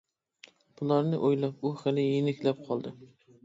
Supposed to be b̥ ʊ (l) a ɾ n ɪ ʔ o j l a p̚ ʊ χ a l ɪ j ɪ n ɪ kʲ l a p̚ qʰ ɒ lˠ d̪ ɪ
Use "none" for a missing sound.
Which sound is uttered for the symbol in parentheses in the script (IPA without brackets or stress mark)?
l